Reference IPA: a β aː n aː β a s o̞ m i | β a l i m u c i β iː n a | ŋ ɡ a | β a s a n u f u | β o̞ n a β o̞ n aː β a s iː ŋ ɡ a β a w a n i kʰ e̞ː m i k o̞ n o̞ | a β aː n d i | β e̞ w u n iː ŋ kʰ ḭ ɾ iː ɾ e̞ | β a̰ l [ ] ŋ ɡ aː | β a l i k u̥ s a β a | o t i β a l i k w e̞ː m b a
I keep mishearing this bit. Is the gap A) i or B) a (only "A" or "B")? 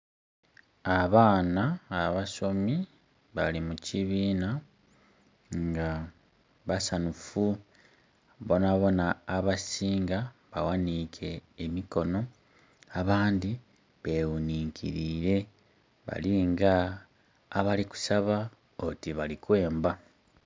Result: A